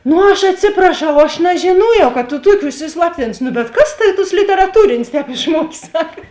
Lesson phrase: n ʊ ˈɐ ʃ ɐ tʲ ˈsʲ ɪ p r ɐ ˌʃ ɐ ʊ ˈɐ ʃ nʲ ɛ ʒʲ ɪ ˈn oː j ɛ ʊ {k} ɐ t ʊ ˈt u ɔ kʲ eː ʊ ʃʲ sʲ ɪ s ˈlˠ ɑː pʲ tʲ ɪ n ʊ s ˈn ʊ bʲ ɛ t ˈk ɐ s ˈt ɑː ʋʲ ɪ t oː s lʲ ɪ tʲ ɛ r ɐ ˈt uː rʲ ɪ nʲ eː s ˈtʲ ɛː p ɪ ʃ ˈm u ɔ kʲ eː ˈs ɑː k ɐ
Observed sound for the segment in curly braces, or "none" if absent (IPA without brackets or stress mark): k